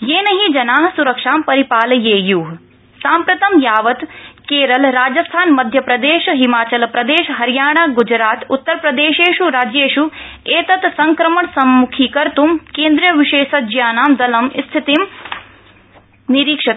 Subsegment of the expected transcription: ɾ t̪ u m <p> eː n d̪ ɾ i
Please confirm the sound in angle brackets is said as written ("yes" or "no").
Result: no